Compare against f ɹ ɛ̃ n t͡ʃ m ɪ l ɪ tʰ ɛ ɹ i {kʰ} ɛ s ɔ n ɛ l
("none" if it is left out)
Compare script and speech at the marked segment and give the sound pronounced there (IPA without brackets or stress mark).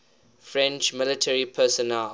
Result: pʰ